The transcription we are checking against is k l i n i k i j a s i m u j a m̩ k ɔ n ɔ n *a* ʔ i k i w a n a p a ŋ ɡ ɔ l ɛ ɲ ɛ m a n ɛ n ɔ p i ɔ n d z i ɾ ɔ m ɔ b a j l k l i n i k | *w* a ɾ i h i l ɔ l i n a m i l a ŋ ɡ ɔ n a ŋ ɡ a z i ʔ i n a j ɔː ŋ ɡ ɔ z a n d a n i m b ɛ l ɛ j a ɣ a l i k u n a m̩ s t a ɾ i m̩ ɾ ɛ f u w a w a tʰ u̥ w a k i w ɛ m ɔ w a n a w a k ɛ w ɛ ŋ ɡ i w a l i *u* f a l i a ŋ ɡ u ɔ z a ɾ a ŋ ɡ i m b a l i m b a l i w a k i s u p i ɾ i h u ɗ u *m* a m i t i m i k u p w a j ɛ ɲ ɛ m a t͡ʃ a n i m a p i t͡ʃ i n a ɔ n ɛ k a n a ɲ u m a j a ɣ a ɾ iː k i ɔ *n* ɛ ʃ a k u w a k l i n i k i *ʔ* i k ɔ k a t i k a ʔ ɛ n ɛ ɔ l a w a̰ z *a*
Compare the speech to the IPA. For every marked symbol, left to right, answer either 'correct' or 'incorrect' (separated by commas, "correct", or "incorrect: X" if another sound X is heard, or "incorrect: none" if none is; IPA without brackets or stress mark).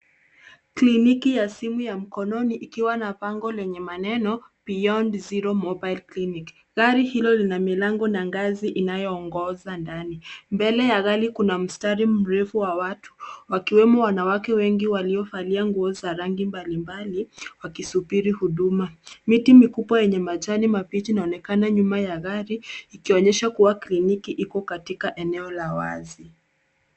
incorrect: i, incorrect: ɣ, incorrect: ɔ, correct, incorrect: ɲ, correct, incorrect: i